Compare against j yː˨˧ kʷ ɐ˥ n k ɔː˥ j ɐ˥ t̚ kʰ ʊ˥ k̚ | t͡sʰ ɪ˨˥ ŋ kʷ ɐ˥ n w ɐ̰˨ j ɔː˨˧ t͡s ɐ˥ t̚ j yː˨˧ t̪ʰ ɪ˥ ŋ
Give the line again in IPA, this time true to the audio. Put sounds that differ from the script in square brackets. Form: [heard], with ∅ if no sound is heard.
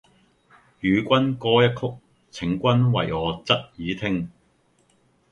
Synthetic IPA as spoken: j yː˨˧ kʷ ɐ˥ n k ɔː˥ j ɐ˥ t̚ kʰ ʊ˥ k̚ | t͡sʰ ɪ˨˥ ŋ kʷ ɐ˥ n w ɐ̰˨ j ɔː˨˧ t͡s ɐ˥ t̚ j [iː˨˧] t̪ʰ ɪ˥ ŋ